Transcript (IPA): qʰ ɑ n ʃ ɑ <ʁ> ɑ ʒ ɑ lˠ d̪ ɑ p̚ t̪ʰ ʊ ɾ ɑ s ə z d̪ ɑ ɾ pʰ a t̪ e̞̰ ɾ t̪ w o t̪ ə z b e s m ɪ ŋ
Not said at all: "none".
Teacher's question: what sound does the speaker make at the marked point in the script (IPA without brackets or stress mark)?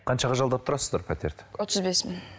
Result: ʁ